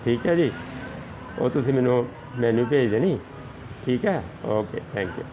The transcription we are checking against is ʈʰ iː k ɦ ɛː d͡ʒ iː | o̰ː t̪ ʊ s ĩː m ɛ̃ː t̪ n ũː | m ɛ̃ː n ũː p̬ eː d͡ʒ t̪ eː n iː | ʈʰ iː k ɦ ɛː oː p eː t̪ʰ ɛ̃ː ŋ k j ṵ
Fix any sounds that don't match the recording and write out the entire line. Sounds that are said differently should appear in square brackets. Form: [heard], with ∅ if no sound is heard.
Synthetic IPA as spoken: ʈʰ iː k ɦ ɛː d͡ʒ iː | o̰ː t̪ ʊ s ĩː m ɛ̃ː [∅] n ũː | m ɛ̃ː n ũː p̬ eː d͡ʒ [d̪] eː n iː | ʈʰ iː k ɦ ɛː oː [k] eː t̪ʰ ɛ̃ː ŋ k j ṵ

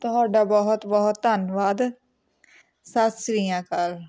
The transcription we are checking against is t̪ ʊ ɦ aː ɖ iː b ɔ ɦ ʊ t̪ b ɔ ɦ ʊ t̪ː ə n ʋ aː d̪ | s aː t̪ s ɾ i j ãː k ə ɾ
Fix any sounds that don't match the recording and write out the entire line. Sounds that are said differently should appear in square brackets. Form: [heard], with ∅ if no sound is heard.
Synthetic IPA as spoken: t̪ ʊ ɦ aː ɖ [aː] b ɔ ɦ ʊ t̪ b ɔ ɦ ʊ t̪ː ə n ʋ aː d̪ | s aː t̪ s ɾ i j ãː k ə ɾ

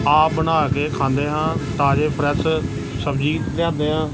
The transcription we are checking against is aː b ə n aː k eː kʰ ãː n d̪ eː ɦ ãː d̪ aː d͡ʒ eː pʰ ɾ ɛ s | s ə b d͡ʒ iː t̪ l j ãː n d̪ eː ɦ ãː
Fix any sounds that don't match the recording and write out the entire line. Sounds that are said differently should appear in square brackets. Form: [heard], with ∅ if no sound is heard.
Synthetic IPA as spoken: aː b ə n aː k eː kʰ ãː n d̪ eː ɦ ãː [t̪] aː d͡ʒ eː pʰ ɾ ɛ s | s ə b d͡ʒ iː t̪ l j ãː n d̪ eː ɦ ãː

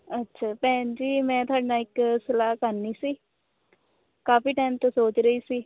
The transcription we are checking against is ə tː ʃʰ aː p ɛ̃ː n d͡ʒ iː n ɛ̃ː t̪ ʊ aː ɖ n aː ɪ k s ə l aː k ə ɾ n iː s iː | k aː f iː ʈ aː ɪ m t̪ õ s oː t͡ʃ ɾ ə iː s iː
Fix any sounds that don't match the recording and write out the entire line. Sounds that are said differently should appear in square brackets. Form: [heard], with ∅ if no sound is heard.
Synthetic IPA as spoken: ə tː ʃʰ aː p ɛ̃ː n d͡ʒ iː [m] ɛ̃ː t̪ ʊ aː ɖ n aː ɪ k s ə l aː k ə ɾ n iː s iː | k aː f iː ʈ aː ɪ m t̪ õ s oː t͡ʃ ɾ ə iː s iː

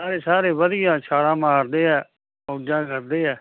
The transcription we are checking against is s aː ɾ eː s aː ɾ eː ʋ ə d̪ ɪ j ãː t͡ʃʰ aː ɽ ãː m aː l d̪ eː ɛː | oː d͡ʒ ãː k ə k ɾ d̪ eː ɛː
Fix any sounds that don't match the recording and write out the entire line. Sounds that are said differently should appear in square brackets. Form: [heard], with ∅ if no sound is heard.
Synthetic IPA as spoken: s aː ɾ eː s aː ɾ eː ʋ ə d̪ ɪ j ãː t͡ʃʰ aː ɽ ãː m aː [ɾ] d̪ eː ɛː | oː d͡ʒ ãː k ə [∅] ɾ d̪ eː ɛː

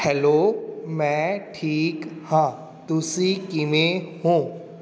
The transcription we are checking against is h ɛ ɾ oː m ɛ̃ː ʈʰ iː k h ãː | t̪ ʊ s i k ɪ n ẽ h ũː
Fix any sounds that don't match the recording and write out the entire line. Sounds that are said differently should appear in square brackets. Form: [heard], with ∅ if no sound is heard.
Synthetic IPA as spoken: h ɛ [l] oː m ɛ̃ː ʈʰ iː k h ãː | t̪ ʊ s i k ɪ [m] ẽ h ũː

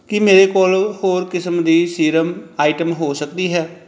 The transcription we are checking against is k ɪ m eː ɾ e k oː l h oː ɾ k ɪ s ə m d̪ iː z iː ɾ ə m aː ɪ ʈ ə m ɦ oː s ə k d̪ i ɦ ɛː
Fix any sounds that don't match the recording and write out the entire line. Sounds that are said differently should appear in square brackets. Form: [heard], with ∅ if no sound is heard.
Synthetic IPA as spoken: k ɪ m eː ɾ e k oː l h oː ɾ k ɪ s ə m d̪ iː [s] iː ɾ ə m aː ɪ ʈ ə m ɦ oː s ə k d̪ i ɦ ɛː

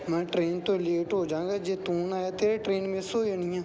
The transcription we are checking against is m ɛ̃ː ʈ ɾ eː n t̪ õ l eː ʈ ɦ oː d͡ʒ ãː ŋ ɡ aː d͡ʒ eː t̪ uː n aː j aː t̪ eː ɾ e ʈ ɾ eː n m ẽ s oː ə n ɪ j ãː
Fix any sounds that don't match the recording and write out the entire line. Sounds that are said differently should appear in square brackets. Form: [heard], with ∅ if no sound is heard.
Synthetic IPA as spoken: m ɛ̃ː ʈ ɾ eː n t̪ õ l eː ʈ ɦ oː d͡ʒ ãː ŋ ɡ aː d͡ʒ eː t̪ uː n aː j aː t̪ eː ɾ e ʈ ɾ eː n m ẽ s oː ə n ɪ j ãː

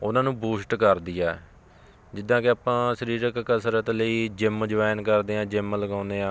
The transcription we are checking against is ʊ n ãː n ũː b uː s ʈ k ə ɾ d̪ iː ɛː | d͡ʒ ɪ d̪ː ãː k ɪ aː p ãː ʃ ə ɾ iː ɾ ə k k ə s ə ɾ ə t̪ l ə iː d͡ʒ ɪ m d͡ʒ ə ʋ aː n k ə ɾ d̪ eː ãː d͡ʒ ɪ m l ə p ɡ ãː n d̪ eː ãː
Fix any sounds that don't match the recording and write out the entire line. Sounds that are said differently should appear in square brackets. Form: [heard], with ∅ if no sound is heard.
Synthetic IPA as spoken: ʊ n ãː n ũː b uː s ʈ k ə ɾ d̪ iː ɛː | d͡ʒ ɪ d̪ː ãː k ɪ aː p ãː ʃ ə ɾ iː ɾ ə k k ə s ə ɾ ə t̪ l ə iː d͡ʒ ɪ m d͡ʒ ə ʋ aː n k ə ɾ d̪ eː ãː d͡ʒ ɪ m l ə [∅] ɡ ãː n d̪ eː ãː

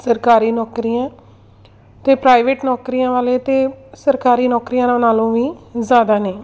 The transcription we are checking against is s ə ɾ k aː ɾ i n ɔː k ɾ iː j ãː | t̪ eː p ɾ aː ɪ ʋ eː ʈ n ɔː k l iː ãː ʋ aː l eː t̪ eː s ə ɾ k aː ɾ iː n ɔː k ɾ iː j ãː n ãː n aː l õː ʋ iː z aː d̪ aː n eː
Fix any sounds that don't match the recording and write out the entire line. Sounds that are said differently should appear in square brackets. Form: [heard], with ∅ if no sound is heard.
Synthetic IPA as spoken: s ə ɾ k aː ɾ [iː] n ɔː k ɾ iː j ãː | t̪ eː p ɾ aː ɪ ʋ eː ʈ n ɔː k [ɾ] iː ãː ʋ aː l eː t̪ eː s ə ɾ k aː ɾ iː n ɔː k ɾ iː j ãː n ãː n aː l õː ʋ iː z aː d̪ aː n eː

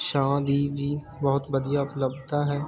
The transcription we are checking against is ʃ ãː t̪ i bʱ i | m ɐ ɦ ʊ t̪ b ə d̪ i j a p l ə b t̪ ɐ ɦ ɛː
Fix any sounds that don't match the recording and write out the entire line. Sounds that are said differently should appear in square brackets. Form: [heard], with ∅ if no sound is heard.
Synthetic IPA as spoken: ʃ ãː [d̪] i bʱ i | [b] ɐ ɦ ʊ t̪ b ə d̪ i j a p l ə b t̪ [a] ɦ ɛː

